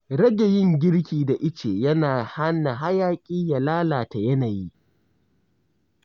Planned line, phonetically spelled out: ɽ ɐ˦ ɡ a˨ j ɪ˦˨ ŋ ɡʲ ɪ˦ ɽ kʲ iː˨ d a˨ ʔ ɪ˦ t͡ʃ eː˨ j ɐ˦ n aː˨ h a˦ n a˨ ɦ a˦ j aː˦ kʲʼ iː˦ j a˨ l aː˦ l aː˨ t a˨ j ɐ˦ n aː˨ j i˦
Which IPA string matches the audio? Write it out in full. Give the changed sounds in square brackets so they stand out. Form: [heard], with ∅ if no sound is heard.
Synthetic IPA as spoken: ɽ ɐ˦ ɡ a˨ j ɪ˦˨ ŋ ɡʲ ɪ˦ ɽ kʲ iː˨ d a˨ ʔ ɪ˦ t͡ʃ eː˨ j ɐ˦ n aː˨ h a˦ n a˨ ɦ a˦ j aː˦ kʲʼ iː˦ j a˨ l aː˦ l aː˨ t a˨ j ɐ˦ n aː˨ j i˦